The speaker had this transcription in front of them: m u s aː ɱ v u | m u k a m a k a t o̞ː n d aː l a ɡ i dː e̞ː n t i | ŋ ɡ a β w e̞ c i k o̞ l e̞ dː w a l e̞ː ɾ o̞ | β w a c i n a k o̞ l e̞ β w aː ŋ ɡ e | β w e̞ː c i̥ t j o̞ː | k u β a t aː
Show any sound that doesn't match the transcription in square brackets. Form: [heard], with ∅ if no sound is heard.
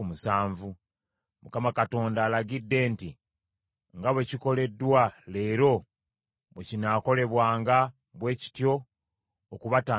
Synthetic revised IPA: m u s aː ɱ v u | m u k a m a k a t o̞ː n d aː l a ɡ i dː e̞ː n t i | ŋ ɡ a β w e̞ c i k o̞ l e̞ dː w a l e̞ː ɾ o̞ | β w [e] c i n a k o̞ l e̞ β w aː ŋ ɡ [a] | β w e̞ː c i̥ t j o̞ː | k u β a t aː